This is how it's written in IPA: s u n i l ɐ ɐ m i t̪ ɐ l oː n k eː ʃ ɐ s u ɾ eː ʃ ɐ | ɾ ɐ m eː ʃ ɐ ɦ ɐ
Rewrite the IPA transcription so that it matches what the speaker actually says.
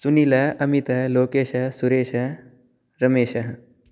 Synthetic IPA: s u n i l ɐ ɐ m i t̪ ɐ l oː k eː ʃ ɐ s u ɾ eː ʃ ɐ | ɾ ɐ m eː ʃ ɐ ɦ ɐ